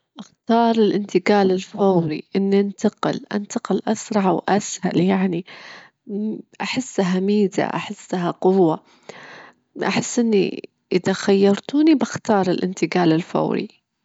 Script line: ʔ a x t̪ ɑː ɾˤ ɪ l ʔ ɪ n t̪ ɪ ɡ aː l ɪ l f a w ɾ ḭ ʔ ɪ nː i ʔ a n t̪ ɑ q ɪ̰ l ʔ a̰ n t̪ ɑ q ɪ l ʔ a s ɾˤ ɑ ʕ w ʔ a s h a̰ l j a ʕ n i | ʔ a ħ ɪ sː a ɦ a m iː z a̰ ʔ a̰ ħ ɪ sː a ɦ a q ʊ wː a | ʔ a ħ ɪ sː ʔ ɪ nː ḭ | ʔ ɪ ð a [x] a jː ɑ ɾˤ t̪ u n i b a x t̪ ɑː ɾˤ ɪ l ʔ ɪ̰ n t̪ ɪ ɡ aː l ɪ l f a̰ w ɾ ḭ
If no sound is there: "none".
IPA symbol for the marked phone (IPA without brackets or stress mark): x